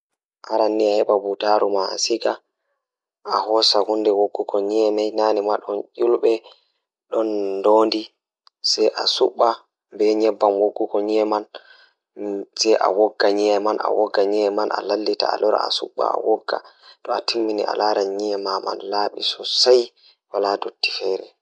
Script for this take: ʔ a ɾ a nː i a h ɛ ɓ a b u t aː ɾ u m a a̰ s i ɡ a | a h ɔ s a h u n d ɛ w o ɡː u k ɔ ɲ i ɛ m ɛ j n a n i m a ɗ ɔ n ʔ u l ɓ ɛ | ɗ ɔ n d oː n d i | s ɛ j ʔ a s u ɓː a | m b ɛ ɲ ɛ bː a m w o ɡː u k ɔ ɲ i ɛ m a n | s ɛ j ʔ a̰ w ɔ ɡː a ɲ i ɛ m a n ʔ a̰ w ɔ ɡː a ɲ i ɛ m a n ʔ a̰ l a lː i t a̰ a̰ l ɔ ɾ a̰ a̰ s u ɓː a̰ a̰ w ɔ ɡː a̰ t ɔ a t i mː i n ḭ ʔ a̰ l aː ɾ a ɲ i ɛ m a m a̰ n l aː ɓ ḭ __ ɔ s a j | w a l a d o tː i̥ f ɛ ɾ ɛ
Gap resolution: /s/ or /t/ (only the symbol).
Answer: s